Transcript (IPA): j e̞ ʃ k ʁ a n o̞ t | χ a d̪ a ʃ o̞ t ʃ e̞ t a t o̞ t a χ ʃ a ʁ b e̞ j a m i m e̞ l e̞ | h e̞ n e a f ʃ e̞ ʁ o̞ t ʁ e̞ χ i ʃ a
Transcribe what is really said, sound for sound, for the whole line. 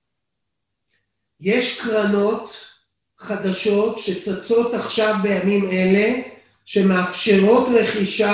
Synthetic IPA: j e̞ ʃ k ʁ a n o̞ t | χ a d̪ a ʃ o̞ t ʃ e̞ t͡s a t͡s o̞ t a χ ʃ a v b e̞ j a m i m e̞ l e̞ | ʃ e̞ m e a f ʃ e̞ ʁ o̞ t ʁ e̞ χ i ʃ a